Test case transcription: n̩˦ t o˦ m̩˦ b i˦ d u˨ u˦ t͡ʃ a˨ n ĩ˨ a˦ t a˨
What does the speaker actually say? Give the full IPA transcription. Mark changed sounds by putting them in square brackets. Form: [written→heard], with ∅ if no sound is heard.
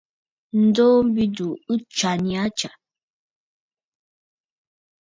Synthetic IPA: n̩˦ [t→d] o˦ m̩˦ b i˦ d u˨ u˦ t͡ʃ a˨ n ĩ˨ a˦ [t→t͡ʃ] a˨